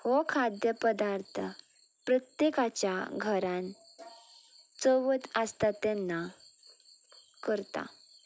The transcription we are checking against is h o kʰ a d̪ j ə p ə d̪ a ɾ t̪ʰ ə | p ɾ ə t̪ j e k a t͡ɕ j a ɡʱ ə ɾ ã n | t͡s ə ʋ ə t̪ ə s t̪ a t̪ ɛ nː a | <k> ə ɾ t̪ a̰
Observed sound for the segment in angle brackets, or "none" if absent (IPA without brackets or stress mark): k